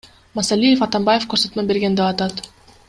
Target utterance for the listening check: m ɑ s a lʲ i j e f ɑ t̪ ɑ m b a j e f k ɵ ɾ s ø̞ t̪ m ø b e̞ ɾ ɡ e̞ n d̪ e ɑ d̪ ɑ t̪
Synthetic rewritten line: m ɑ s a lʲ i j e f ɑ t̪ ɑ m b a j e f k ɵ ɾ s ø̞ t̪ m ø b e̞ ɾ ɡ e̞ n d̪ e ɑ t̪ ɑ t̪